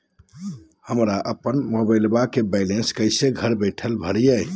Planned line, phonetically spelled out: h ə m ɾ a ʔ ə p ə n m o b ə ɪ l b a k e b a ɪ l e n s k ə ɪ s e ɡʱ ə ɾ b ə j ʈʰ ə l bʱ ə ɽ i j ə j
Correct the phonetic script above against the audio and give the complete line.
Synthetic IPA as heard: h ə m ɾ a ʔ ə p ə n m o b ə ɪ l b a k e b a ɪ l e n s k ə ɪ s e ɡʱ ə ɾ b ə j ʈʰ ə l bʱ ə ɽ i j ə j